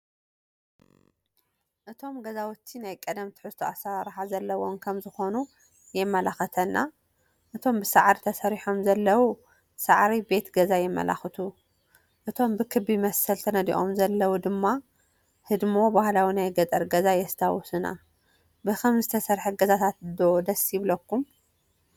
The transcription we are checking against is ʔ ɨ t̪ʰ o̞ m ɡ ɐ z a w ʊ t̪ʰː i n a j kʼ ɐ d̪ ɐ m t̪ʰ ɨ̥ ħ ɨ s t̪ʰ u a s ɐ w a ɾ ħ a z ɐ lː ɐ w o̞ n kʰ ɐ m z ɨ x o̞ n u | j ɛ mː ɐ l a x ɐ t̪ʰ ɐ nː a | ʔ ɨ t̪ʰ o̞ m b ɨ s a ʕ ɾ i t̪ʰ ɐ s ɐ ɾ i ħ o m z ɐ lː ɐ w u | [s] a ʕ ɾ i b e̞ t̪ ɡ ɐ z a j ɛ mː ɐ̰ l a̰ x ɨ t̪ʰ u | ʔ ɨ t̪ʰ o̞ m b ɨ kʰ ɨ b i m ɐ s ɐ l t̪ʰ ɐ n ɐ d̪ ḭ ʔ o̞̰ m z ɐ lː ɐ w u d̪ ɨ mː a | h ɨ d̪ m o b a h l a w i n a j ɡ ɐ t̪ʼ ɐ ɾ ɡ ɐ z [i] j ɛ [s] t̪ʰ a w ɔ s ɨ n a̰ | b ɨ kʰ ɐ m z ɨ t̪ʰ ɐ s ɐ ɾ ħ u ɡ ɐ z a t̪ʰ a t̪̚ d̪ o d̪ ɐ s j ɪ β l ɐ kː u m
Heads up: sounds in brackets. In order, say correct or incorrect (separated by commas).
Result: correct, incorrect, correct